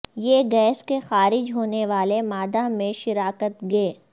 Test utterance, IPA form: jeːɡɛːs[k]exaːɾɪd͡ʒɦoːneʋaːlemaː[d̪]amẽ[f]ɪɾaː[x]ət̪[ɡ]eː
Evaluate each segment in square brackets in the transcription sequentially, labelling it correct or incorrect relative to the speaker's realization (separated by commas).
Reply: correct, correct, incorrect, incorrect, correct